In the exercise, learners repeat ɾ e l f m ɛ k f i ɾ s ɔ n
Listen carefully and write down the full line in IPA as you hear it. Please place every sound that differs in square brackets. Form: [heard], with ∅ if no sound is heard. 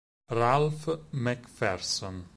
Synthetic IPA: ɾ [a] l f m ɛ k f [ɛ] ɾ s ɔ n